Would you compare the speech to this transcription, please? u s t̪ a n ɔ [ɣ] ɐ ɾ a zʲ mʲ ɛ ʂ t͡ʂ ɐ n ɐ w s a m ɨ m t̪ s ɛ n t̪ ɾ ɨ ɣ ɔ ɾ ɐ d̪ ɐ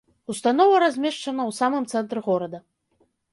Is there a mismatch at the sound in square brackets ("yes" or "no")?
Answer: yes